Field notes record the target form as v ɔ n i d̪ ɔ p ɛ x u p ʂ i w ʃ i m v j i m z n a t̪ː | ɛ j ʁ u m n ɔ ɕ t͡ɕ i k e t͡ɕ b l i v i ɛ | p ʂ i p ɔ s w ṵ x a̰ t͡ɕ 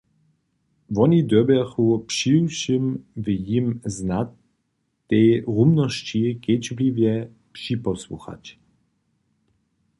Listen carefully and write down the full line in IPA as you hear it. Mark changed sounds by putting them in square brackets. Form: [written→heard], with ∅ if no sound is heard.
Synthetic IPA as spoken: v ɔ n i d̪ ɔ [p→b] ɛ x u p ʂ i w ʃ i m v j i m z n a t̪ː | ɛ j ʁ u m n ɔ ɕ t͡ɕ i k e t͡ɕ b l i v [i→j] ɛ | p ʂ i p ɔ s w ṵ x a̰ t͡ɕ